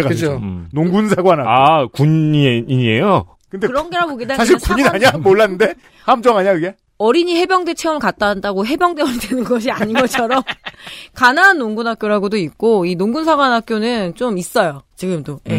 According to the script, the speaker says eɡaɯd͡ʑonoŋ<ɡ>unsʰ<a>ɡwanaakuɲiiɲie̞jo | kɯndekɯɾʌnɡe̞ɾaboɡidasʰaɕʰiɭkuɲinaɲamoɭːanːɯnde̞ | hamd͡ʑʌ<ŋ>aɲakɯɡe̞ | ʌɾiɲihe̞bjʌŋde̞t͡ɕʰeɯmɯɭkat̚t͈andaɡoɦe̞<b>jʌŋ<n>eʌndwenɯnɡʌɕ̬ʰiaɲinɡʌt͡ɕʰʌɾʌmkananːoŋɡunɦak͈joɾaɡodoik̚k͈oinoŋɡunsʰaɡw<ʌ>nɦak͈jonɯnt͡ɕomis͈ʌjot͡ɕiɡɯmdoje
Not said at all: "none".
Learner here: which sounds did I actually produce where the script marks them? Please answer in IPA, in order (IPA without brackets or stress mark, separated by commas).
ɡ, a, ŋ, b, d, a